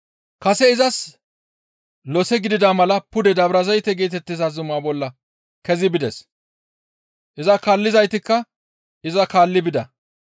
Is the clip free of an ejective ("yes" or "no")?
yes